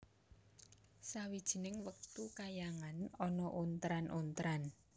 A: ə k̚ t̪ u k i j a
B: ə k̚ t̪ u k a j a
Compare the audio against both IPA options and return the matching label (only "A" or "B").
B